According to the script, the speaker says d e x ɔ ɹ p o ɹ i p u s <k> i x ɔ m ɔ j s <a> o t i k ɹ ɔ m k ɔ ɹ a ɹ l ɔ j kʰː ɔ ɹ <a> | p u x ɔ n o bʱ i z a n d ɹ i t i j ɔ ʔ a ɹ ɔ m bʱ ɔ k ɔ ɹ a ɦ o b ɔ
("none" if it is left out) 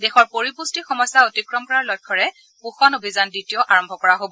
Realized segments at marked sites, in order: t, a, ɛ

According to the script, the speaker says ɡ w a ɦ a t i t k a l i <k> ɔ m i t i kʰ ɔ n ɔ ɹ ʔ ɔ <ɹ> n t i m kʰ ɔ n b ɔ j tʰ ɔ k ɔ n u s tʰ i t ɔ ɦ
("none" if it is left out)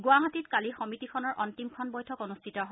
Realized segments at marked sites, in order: x, none

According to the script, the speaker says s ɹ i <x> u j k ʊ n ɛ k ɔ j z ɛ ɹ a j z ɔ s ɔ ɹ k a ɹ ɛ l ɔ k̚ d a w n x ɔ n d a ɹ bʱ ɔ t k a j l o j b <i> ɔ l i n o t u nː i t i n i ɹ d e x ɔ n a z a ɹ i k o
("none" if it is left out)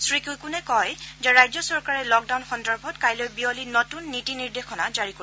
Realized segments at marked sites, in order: k, i

